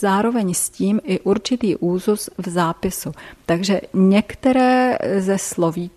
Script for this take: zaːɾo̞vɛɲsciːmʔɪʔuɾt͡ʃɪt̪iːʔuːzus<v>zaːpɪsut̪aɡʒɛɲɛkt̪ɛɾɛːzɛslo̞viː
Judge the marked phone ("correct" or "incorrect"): correct